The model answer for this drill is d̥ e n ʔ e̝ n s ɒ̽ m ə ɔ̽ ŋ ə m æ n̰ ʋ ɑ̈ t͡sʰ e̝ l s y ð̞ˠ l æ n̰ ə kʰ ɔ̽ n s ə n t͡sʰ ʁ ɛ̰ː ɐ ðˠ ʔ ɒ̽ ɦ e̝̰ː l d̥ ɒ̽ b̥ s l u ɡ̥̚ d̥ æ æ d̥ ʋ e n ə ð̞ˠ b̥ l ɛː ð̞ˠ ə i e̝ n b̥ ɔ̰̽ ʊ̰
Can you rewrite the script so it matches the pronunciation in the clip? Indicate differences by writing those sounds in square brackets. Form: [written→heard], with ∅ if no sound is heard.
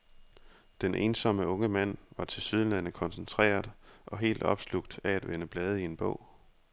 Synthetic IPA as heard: d̥ e n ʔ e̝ n s ɒ̽ m ə ɔ̽ ŋ ə m æ n̰ ʋ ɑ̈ t͡sʰ e̝ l s y ð̞ˠ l æ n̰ ə kʰ [ɔ̽→ɒ̽] n s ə n t͡sʰ ʁ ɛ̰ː ɐ ðˠ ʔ ɒ̽ ɦ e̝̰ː l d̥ ɒ̽ b̥ s l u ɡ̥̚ d̥ æ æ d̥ ʋ e n ə [ð̞ˠ→∅] b̥ l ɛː ð̞ˠ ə i e̝ n b̥ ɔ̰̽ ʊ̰

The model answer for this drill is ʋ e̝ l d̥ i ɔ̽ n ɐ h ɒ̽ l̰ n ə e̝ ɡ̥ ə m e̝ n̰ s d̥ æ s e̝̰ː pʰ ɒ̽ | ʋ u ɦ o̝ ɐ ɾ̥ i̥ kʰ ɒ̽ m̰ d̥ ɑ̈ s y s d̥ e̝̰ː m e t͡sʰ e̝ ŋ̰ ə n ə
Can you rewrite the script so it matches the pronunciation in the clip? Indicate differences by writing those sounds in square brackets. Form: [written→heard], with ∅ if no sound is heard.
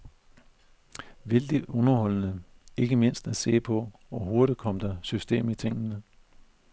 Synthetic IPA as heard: ʋ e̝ l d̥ i ɔ̽ n ɐ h ɒ̽ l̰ n ə e̝ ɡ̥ ə m e̝ n̰ s d̥ æ s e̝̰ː pʰ ɒ̽ | ʋ [u→ɒ] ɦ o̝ ɐ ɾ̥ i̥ kʰ ɒ̽ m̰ d̥ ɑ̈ s y s d̥ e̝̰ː m [e→i] t͡sʰ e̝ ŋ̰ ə n ə

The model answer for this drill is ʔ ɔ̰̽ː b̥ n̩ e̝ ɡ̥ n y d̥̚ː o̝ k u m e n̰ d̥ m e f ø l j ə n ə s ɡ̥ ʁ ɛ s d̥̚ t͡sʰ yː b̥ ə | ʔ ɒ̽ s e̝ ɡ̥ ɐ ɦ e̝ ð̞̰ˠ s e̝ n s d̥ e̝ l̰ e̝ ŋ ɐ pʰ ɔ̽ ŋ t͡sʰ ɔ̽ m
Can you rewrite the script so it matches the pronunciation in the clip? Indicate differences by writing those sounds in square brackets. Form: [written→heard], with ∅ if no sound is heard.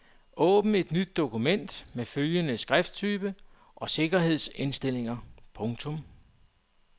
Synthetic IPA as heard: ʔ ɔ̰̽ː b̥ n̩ e̝ [ɡ̥→d̥] n y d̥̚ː o̝ k u m e n̰ d̥ m e f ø l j ə n ə s ɡ̥ ʁ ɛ [s→f] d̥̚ t͡sʰ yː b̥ ə | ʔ ɒ̽ s e̝ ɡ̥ ɐ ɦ e̝ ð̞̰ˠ s e̝ n s d̥ e̝ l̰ e̝ ŋ ɐ pʰ ɔ̽ ŋ t͡sʰ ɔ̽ m

